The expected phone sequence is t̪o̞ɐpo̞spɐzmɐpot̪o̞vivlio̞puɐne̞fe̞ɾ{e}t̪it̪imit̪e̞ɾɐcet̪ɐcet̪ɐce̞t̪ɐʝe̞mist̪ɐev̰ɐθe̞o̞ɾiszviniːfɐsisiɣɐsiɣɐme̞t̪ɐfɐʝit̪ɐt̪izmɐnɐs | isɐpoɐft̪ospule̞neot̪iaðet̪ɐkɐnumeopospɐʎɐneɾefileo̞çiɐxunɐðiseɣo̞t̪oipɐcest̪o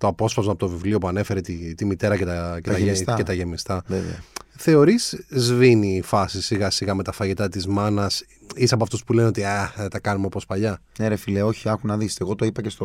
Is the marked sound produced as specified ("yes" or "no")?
yes